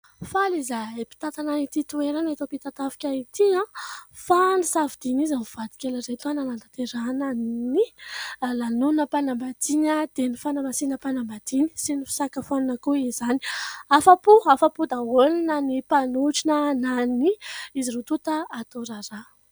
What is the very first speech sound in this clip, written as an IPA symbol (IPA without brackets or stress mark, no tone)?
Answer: f